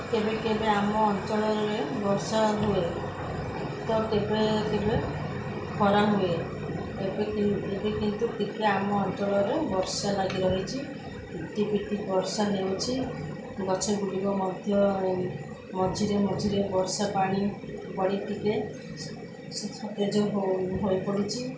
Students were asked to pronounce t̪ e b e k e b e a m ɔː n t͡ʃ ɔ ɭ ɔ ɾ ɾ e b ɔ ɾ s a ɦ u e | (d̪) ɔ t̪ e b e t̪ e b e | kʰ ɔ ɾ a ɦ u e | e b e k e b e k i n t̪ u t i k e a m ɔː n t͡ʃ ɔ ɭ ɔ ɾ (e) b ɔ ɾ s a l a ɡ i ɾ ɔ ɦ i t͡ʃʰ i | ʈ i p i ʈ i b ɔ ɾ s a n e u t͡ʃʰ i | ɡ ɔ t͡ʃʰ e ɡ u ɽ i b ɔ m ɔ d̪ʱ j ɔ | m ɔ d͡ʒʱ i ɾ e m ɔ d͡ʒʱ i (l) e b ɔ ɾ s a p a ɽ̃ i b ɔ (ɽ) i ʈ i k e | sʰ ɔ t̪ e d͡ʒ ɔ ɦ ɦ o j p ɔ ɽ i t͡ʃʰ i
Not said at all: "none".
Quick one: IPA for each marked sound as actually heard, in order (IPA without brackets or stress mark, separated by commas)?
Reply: t̪, e, ɾ, ɽ